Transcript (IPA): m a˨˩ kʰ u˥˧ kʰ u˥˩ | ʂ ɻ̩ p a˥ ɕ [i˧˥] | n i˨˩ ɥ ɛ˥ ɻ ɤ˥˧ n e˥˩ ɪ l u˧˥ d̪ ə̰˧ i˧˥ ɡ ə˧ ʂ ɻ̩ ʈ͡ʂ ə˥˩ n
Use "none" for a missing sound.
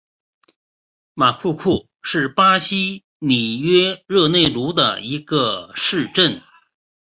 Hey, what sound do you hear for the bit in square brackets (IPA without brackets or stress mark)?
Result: i˥